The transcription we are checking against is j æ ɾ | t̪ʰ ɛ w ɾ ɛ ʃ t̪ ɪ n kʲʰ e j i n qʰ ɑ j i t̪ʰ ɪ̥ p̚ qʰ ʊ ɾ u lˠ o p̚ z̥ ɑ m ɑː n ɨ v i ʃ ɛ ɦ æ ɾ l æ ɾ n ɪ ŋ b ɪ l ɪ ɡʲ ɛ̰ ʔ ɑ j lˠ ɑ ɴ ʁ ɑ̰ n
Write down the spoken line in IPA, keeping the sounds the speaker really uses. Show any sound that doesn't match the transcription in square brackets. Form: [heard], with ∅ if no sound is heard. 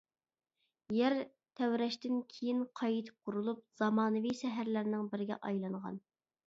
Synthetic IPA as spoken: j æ ɾ | t̪ʰ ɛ w ɾ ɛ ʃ t̪ ɪ n kʲʰ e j i n qʰ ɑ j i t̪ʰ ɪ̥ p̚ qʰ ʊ ɾ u lˠ [u] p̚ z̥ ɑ m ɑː n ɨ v i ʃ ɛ ɦ æ ɾ l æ ɾ n ɪ ŋ b ɪ [ɾ] ɪ ɡʲ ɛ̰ ʔ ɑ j lˠ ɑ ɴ ʁ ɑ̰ n

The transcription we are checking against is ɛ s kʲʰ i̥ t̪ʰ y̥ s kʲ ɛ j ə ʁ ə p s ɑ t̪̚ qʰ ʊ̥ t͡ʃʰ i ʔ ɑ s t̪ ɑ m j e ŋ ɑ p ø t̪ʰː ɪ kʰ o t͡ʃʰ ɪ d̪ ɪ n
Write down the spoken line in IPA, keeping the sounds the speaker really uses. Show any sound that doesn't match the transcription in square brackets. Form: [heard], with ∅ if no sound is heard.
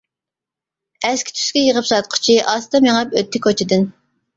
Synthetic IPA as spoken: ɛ s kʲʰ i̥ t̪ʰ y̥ s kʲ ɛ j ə ʁ ə p s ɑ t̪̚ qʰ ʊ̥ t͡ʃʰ i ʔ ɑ s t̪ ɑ m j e ŋ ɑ p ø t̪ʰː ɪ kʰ o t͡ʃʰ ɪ d̪ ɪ n

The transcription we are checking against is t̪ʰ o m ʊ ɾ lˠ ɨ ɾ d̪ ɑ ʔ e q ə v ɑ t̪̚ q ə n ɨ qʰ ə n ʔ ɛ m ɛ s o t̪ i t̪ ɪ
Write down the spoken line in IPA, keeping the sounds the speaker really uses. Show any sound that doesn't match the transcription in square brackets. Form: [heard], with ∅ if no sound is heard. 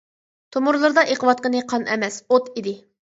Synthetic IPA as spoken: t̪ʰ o m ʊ ɾ lˠ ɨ ɾ d̪ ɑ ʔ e q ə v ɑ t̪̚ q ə n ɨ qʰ [ɑ] n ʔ ɛ m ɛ s o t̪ i [d̪] ɪ

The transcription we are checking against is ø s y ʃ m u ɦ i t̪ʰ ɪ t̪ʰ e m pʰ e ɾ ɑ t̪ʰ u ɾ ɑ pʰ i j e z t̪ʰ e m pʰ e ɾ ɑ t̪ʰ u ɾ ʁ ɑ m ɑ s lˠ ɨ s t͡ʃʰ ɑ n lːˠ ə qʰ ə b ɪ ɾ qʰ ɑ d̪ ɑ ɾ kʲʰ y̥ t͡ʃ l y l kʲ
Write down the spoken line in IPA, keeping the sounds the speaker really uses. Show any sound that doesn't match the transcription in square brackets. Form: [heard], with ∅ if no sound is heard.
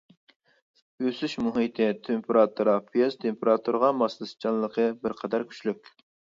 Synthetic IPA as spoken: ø s y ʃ m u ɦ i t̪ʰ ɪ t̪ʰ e m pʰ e ɾ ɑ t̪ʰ u ɾ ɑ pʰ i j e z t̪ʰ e m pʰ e ɾ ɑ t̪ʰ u ɾ ʁ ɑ m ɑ s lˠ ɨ s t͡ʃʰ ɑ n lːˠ ə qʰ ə b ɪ ɾ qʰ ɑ d̪ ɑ ɾ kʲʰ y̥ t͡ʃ l y [∅] kʲ

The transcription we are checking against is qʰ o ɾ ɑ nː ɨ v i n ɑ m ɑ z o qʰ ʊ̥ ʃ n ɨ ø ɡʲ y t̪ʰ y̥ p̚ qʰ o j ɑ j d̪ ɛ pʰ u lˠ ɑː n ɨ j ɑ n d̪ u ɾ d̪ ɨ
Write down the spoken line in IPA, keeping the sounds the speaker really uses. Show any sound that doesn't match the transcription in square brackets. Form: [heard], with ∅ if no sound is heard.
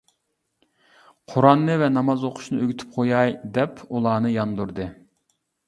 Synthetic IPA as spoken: qʰ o ɾ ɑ nː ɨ v [ɛ] n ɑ m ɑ z o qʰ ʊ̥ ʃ n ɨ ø ɡʲ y t̪ʰ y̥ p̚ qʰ o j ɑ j d̪ ɛ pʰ u lˠ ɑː n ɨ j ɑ n d̪ u ɾ d̪ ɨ

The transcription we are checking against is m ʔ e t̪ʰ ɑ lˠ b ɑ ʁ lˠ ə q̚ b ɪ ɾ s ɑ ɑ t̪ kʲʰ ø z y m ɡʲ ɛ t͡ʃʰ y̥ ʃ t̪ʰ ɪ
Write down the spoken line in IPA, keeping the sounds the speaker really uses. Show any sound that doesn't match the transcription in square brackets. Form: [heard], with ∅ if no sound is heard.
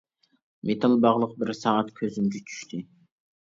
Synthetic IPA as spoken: m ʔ e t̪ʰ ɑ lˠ b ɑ ʁ lˠ ə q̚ b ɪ ɾ s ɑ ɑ t̪ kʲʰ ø z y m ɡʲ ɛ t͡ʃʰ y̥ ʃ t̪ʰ ɪ

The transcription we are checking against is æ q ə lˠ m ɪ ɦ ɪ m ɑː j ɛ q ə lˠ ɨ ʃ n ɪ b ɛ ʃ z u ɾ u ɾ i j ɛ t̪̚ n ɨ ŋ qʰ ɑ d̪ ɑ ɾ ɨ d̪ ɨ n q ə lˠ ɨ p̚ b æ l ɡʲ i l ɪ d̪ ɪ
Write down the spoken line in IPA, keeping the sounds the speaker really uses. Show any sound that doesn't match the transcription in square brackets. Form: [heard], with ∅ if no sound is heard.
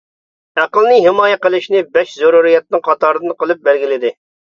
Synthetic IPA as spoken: æ q ə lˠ [n] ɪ ɦ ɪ m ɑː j ɛ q ə lˠ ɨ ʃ n ɪ b ɛ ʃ z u ɾ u ɾ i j ɛ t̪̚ n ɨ ŋ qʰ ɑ [t̪] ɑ ɾ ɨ d̪ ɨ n q ə lˠ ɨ p̚ b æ l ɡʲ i l ɪ d̪ ɪ

